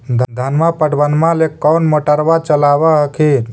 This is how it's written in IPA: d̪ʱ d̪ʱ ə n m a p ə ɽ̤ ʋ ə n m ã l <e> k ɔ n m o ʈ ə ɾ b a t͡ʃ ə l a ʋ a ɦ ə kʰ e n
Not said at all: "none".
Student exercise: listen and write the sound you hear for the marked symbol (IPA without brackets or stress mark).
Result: e